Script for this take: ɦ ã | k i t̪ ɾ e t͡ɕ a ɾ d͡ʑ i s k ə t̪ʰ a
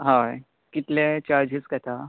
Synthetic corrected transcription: ɦ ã | k i t̪ l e t͡ɕ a ɾ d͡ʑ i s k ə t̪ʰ a